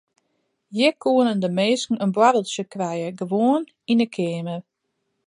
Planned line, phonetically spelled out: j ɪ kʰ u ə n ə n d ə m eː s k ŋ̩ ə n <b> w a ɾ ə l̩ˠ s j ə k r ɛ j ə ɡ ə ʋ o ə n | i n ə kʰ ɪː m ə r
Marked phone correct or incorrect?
correct